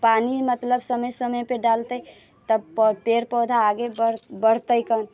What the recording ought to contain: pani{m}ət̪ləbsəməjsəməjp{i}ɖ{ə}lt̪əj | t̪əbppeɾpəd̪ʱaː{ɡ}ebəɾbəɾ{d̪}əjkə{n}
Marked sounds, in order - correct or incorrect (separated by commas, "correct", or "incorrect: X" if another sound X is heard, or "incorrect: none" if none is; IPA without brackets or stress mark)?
correct, incorrect: e, incorrect: a, correct, incorrect: t̪, correct